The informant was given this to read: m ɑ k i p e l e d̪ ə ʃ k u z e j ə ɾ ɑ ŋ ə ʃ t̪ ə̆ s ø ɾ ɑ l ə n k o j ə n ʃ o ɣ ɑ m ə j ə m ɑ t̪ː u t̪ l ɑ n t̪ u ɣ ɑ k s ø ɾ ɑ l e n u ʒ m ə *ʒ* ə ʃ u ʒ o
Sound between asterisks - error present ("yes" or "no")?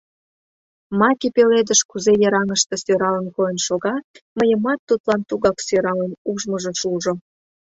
no